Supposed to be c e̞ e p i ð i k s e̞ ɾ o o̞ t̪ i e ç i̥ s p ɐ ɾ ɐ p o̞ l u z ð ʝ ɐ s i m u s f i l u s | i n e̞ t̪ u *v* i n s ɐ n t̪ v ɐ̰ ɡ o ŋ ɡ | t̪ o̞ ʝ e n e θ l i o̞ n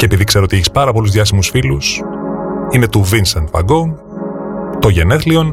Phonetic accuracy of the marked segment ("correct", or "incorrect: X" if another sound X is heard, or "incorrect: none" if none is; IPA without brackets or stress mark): correct